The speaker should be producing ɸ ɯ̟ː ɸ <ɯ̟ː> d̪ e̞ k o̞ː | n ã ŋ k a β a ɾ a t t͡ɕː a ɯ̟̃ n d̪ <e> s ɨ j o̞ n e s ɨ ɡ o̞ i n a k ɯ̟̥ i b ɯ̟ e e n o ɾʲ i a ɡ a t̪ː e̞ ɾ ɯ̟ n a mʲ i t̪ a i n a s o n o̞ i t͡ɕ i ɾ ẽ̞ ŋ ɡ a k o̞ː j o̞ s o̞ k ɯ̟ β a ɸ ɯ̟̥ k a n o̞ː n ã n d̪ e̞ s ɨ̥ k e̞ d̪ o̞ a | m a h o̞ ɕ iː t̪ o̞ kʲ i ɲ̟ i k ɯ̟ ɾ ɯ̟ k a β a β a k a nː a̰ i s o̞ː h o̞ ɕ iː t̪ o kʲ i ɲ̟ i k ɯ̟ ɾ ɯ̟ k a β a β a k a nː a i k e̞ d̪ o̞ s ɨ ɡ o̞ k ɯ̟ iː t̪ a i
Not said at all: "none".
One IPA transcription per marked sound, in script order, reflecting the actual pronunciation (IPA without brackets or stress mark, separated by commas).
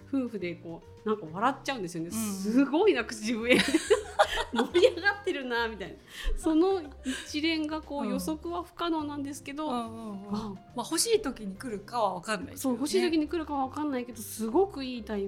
ɯ̟, e